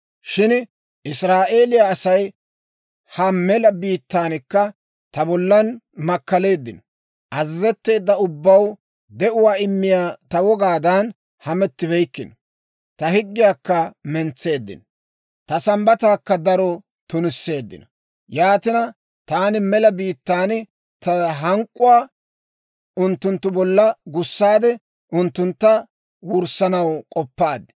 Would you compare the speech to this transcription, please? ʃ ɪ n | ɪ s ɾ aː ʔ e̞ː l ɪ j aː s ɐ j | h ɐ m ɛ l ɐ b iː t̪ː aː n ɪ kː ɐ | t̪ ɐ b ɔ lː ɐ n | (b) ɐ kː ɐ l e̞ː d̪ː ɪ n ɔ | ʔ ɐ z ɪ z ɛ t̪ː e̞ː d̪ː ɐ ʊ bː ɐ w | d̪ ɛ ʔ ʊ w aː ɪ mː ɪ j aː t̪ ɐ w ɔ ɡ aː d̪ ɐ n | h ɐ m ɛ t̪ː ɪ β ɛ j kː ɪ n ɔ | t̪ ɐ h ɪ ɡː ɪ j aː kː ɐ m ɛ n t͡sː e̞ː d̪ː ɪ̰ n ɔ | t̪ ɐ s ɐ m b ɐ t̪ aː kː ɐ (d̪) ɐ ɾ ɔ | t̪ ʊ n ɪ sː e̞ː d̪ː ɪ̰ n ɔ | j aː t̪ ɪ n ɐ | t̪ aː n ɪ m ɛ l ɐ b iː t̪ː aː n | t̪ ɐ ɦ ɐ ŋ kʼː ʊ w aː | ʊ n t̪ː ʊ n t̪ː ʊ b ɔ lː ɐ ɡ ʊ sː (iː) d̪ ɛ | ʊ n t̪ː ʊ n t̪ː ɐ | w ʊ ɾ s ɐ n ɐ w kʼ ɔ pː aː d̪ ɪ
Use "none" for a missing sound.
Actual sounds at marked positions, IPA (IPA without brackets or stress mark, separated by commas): m, d̪, aː